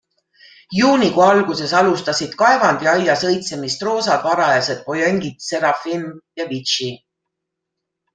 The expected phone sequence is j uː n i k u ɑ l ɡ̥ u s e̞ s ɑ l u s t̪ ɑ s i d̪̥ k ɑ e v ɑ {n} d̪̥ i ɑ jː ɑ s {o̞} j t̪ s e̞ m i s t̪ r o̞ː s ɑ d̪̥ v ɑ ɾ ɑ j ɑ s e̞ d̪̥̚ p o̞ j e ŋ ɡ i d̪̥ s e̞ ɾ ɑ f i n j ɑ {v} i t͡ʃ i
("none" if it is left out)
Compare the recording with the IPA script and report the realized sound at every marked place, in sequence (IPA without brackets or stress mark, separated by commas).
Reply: n, ɤ̞, v